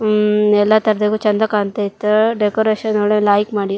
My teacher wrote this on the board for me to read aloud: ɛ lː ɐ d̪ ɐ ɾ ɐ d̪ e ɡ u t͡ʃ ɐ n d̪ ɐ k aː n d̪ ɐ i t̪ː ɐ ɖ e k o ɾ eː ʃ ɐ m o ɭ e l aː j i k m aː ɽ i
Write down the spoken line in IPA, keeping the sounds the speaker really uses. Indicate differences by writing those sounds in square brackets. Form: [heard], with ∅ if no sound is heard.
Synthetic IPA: ɛ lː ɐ [t̪] ɐ ɾ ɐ d̪ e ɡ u t͡ʃ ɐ n d̪ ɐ k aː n [t̪] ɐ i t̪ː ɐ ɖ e k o ɾ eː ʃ ɐ [n] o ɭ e l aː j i k m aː ɽ i